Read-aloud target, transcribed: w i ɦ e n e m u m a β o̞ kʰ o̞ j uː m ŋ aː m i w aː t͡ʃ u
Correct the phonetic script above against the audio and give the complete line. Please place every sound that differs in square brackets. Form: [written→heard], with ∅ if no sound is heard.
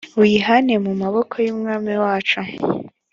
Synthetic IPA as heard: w i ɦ [e→a] n e m u m a β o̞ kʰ o̞ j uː m ŋ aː m i w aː t͡ʃ u